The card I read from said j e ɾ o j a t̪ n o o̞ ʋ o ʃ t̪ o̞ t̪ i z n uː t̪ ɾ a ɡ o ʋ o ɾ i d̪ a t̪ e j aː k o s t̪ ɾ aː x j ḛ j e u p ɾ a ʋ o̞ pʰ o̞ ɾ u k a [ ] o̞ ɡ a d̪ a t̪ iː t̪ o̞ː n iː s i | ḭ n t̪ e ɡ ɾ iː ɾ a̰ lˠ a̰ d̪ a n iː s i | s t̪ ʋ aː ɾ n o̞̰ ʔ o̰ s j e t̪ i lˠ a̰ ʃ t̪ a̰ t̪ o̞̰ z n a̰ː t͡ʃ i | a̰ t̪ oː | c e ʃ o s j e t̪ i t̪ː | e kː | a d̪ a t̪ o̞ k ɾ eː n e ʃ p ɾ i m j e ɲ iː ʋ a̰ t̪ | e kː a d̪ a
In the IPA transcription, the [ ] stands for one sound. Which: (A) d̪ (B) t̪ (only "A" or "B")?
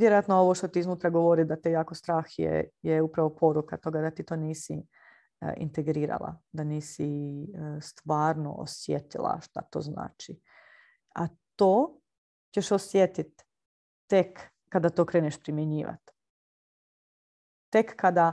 B